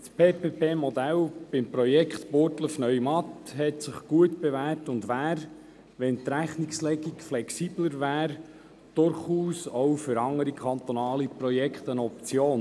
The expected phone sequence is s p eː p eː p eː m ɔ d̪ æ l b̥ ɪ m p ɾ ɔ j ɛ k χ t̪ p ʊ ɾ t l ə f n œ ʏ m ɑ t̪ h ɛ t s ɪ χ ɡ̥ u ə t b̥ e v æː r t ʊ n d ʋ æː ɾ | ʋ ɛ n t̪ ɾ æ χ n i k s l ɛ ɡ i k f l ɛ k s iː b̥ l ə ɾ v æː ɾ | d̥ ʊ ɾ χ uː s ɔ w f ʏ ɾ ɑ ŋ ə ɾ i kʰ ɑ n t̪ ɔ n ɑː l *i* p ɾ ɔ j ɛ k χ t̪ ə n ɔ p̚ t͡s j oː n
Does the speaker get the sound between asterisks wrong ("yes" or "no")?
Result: no